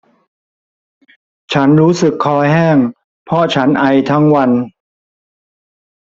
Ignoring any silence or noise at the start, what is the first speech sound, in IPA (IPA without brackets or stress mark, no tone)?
t͡ɕʰ